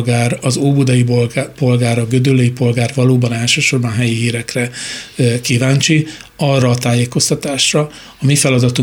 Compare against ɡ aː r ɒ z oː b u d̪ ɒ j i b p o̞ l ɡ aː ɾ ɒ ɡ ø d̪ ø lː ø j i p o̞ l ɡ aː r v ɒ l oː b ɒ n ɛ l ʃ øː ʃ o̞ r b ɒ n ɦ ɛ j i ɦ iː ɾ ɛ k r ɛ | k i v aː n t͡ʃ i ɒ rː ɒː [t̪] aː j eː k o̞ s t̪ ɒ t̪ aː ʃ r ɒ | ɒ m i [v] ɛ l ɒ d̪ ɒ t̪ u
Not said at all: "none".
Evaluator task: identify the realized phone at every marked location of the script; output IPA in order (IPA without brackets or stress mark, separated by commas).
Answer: t̪, f